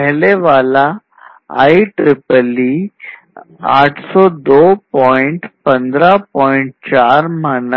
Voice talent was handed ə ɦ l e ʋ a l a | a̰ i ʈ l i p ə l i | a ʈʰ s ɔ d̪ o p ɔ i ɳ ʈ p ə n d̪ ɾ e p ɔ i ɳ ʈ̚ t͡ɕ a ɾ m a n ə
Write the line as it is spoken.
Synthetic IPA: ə ɦ l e ʋ a l a | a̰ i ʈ ɾ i p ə l i | a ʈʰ s ɔ d̪ o p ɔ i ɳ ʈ p ə n d̪ ɾ a p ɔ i ɳ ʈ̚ t͡ɕ a ɾ m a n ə

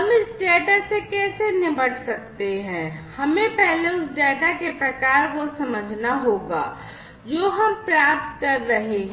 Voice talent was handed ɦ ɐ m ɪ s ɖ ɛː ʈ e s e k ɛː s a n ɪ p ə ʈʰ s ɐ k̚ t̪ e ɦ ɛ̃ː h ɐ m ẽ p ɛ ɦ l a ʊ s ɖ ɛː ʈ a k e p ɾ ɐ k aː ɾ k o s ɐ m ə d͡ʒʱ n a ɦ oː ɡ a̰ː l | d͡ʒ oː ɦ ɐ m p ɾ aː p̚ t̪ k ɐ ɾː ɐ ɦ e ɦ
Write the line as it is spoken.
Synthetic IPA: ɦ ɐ m ɪ s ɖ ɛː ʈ a s e k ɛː s e n ɪ b ə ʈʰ s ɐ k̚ t̪ e ɦ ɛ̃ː h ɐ m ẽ p ɛ ɦ l e ʊ s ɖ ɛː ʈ a k e p ɾ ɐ k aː ɾ k o s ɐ m ə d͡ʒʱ n a ɦ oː ɡ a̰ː | d͡ʒ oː ɦ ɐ m p ɾ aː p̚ t̪ k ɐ ɾː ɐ ɦ e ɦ

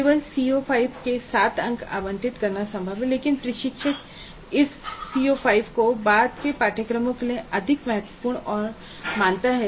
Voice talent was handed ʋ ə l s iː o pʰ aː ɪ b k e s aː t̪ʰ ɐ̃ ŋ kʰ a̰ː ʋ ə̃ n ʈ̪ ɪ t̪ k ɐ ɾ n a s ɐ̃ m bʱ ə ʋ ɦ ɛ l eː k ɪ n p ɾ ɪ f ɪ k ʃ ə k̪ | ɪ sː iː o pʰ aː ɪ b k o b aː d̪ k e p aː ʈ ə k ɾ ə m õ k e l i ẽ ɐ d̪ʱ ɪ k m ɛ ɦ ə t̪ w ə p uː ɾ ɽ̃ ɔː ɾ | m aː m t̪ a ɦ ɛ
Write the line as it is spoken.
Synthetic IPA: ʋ ə l s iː o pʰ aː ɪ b k e s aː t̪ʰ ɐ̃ ŋ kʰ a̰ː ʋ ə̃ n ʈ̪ ɪ t̪ k ɐ ɾ n a s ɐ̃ m bʱ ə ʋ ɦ ɛ l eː k ɪ n p ɾ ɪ ʃ ɪ k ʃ ə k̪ | ɪ sː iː o pʰ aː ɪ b k o b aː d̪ k e p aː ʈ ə k ɾ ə m õ k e l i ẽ ɐ d̪ʱ ɪ k m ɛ ɦ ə t̪ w ə p uː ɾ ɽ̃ ɔː ɾ | m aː n t̪ a ɦ ɛ

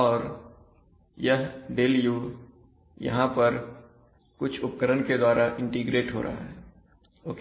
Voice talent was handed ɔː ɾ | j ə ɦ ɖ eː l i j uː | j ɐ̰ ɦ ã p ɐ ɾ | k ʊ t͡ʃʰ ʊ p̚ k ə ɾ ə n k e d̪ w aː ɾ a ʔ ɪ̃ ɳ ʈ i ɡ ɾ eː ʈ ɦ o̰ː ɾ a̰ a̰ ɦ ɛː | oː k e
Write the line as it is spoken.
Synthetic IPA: ɔː ɾ | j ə ɦ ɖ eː l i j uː | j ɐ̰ ɦ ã p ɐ ɾ | k ʊ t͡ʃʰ ʊ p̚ k ə ɾ ə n k e d̪ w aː ɾ a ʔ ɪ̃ ɳ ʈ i ɡ ɾ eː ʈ ɦ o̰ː ɾ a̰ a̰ ɦ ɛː | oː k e

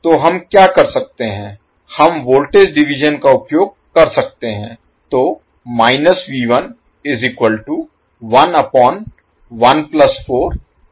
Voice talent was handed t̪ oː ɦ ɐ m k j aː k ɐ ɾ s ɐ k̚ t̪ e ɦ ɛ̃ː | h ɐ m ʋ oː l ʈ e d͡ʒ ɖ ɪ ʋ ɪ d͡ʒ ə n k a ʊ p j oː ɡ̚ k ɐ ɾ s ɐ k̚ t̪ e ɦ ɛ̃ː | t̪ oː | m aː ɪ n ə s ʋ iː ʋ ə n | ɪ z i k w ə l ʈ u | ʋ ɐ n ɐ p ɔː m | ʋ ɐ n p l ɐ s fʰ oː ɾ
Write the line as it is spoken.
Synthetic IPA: t̪ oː ɦ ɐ m k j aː k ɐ ɾ s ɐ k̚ t̪ e ɦ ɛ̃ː | h ɐ m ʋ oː l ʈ e d͡ʒ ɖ ɪ ʋ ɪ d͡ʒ ə n k a ʊ p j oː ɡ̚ k ɐ ɾ s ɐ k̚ t̪ e ɦ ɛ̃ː | t̪ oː | m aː ɪ n ə s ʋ iː ʋ ə n | ɪ z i k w ə l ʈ u | ʋ ɐ n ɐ p ɔː n | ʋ ɐ n p l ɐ s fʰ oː ɾ

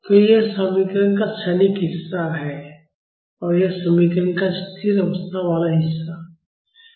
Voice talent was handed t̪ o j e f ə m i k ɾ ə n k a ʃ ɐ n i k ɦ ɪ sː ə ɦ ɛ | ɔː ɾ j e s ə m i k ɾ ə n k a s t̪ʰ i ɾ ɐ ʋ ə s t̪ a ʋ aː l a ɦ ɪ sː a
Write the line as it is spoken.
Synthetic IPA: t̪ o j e s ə m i k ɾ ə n k a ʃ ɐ n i k ɦ ɪ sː a ɦ ɛ | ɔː ɾ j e s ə m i k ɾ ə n k a s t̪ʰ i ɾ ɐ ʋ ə s t̪ʰ a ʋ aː l a ɦ ɪ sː a

